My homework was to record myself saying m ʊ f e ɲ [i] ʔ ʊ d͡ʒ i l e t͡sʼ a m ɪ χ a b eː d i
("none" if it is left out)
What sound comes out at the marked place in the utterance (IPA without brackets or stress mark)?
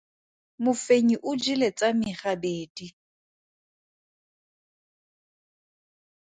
i